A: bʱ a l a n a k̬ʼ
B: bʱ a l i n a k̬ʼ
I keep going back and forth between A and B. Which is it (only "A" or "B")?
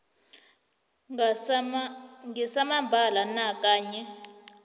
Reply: A